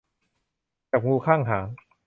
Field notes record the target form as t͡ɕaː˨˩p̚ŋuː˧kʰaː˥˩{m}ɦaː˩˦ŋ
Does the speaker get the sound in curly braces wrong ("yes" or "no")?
yes